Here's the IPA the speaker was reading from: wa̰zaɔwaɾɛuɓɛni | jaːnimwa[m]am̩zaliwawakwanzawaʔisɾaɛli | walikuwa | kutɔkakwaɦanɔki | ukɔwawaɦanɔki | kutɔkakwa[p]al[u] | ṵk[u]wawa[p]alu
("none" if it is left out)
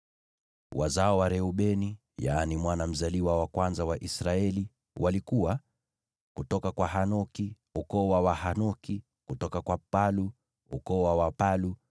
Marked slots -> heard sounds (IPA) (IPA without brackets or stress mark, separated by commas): n, p, u, ɔ, p